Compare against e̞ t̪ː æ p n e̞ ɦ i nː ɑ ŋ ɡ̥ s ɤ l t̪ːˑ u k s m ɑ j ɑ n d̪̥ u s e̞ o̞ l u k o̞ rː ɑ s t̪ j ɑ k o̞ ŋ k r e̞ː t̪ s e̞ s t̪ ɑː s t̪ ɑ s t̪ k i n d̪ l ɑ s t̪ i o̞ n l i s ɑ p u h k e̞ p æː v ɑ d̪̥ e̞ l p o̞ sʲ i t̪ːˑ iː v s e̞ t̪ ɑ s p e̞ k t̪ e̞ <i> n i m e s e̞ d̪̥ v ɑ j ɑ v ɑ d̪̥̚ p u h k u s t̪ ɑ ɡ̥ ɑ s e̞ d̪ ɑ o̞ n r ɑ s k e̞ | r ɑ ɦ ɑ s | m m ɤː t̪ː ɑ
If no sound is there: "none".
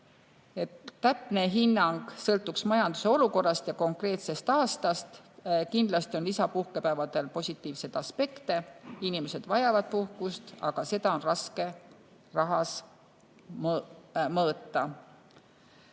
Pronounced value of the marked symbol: i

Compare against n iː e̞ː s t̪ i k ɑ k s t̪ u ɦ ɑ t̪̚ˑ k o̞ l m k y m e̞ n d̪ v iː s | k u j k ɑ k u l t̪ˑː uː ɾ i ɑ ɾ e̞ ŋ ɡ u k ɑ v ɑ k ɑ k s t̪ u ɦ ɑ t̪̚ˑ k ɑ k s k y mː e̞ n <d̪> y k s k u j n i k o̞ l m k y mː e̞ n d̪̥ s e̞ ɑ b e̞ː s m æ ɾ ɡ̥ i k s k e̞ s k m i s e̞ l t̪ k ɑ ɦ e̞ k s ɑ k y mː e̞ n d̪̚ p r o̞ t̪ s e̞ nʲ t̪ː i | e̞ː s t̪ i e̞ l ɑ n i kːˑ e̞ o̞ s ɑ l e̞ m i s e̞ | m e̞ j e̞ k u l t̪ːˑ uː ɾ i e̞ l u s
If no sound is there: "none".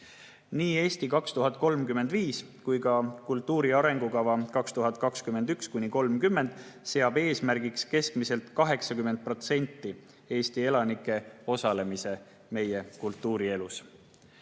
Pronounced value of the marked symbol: d̪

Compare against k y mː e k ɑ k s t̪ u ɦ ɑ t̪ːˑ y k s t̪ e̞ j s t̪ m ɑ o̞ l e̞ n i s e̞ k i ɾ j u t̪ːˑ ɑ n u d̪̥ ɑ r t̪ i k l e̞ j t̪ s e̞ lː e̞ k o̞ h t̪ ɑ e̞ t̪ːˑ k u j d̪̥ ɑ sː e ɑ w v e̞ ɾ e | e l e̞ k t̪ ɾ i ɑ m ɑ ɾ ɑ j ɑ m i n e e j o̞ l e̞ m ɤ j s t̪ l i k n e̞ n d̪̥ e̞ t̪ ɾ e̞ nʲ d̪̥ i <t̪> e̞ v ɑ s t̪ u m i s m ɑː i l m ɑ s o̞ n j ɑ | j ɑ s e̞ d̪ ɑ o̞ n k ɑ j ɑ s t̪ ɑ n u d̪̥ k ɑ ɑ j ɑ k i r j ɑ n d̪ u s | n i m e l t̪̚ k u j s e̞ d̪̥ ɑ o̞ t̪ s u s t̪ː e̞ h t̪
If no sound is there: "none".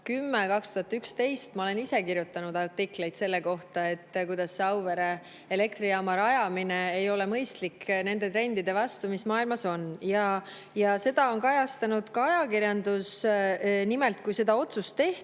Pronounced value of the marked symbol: d̪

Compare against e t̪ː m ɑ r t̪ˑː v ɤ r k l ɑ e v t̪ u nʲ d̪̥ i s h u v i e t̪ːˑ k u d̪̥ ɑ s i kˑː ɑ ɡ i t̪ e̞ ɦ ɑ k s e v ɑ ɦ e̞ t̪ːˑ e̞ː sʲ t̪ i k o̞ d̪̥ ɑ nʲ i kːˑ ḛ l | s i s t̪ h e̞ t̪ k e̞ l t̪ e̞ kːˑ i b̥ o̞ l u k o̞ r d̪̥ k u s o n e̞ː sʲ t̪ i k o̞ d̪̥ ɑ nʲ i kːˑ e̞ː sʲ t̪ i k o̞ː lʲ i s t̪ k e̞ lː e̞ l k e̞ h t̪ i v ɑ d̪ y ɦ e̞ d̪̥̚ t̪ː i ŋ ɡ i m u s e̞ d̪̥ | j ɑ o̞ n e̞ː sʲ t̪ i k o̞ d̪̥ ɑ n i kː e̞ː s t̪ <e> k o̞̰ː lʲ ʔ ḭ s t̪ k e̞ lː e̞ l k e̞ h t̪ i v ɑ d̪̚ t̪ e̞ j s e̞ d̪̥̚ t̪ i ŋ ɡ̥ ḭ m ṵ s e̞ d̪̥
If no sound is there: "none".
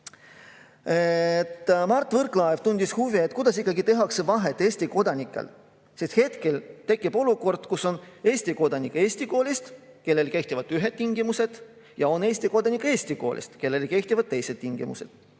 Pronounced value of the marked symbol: i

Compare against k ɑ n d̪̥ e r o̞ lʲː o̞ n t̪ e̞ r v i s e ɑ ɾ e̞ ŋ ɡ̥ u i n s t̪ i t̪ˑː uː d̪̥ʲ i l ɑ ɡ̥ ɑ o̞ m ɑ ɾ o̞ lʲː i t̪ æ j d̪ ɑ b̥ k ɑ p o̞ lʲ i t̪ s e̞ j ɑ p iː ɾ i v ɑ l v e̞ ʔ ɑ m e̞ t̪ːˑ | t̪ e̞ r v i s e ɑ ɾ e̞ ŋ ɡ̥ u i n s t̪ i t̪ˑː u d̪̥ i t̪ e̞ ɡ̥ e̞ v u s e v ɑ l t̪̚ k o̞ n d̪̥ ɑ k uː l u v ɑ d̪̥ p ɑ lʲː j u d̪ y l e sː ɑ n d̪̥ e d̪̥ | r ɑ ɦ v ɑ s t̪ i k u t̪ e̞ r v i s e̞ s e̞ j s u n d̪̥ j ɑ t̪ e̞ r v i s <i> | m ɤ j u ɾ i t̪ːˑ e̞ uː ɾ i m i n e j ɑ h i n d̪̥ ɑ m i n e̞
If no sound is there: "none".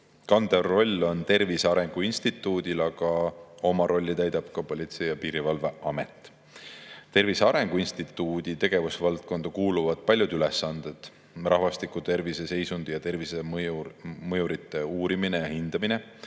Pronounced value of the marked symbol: e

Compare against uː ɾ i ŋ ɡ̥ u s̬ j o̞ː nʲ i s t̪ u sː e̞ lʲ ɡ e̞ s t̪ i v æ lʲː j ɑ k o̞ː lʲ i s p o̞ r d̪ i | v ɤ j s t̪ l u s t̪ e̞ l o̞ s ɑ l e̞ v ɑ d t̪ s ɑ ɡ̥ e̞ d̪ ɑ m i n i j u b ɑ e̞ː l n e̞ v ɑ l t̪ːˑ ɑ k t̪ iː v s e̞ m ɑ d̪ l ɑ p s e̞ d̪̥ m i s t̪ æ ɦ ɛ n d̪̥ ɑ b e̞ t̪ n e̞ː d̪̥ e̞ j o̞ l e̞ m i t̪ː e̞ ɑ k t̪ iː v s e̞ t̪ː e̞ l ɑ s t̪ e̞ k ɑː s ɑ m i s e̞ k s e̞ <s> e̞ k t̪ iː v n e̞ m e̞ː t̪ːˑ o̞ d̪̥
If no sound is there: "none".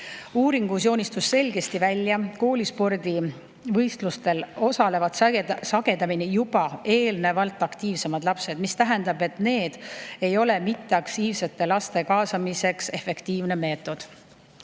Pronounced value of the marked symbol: f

